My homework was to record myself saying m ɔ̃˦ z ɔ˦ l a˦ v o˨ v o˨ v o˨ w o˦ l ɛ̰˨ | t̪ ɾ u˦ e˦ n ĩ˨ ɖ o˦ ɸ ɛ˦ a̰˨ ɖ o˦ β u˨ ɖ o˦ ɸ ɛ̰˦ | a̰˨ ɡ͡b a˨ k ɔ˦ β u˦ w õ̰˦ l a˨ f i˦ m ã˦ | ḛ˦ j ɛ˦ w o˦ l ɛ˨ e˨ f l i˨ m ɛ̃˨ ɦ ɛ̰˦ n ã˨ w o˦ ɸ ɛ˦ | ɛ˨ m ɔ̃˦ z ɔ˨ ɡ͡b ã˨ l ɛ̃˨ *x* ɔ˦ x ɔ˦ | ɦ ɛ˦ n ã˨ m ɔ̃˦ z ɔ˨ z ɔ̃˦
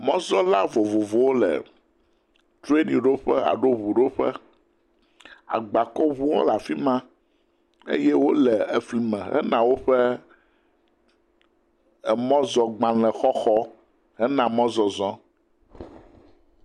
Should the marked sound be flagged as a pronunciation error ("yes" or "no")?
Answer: no